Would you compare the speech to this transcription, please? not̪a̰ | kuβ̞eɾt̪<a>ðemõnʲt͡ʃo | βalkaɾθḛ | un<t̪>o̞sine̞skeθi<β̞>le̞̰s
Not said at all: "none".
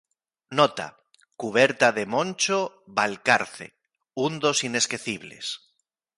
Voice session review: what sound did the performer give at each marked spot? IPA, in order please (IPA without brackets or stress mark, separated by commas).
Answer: a, d̪, β̞